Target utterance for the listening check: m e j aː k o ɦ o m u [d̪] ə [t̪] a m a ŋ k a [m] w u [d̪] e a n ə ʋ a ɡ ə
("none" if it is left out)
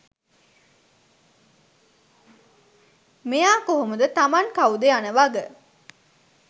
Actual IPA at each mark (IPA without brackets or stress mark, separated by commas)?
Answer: d̪, t̪, none, d̪